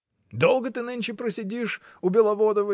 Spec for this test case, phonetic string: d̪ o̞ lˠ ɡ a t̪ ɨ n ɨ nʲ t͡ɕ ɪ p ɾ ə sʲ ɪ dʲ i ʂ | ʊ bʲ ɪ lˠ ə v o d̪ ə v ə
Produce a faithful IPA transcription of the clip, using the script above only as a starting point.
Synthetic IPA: d̪ o̞ lˠ ɡ ə t̪ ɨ n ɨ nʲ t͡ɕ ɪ p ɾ ə sʲ ɪ dʲ i ʂ | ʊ bʲ ɪ lˠ ɐ v o d̪ ə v ə